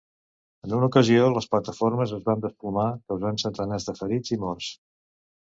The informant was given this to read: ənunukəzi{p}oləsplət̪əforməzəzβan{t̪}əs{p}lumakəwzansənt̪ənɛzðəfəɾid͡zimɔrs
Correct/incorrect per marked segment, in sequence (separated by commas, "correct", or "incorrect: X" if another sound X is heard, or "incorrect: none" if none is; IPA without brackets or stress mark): incorrect: none, incorrect: d̪, correct